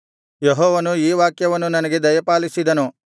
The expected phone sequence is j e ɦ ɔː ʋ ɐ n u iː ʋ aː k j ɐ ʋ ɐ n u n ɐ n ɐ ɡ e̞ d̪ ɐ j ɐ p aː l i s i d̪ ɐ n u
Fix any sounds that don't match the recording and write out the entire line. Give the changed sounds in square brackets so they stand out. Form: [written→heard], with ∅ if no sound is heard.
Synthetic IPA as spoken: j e ɦ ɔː ʋ ɐ n u iː ʋ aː k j ɐ ʋ ɐ [n→nː] u n ɐ n ɐ ɡ e̞ d̪ ɐ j ɐ p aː l i s i d̪ ɐ n u